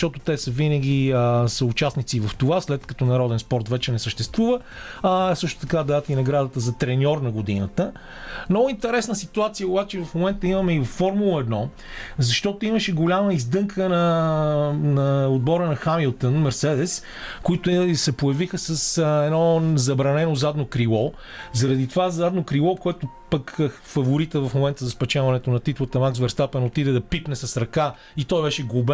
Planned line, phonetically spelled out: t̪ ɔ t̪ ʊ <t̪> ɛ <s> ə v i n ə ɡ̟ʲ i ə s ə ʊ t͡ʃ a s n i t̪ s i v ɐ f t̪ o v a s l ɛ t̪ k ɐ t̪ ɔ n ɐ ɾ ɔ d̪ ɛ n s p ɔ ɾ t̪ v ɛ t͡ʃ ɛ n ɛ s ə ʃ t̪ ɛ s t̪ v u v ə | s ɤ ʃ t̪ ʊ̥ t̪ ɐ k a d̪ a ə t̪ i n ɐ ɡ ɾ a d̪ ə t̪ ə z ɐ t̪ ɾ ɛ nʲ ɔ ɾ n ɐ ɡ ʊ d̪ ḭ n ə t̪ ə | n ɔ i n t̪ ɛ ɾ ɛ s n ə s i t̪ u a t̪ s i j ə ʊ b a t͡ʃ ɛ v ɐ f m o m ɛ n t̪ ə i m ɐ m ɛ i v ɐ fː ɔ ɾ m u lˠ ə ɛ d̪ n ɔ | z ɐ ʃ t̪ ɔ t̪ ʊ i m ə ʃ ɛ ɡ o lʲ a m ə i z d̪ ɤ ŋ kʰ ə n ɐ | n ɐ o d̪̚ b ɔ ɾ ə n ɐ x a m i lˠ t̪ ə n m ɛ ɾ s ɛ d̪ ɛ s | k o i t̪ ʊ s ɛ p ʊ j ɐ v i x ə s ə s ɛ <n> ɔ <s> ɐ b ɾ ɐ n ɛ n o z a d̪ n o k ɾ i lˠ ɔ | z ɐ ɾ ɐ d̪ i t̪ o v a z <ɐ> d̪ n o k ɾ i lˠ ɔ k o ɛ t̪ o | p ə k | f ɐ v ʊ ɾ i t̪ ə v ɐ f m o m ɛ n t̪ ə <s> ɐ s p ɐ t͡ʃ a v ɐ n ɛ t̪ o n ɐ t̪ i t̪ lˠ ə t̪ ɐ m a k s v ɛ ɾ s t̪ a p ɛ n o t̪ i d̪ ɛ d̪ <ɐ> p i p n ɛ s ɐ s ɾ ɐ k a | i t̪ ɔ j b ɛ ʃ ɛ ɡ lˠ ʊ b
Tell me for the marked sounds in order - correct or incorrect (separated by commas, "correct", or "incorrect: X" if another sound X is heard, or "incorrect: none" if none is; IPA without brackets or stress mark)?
correct, correct, correct, incorrect: z, incorrect: a, incorrect: z, correct